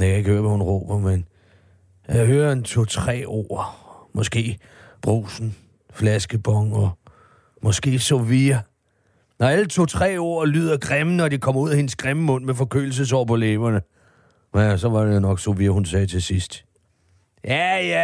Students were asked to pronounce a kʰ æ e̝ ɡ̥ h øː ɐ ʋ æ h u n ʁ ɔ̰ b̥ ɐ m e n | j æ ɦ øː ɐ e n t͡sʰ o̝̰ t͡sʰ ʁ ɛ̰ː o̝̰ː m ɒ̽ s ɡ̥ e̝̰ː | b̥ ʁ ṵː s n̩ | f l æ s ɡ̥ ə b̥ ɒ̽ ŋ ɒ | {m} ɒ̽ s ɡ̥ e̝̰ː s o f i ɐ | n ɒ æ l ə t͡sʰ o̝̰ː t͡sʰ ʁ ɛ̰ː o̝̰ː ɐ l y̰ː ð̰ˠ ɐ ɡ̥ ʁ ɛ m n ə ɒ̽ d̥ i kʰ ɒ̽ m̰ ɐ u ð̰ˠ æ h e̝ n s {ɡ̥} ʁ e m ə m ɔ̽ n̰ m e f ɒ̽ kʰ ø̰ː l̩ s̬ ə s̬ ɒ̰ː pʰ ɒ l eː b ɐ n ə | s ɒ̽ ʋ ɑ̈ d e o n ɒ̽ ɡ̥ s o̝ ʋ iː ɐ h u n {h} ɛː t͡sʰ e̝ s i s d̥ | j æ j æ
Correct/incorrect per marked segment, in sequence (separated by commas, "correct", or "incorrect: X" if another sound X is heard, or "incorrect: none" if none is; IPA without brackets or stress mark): correct, correct, incorrect: s